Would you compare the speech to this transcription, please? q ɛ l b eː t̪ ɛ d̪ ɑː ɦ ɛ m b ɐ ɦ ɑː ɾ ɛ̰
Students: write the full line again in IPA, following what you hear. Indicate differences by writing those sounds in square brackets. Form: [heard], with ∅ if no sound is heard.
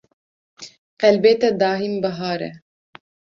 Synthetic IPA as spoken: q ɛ l b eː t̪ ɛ d̪ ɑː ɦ [i] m b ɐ ɦ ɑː ɾ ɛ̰